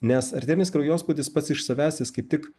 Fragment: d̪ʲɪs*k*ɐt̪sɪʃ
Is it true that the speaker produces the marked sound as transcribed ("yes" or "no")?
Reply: no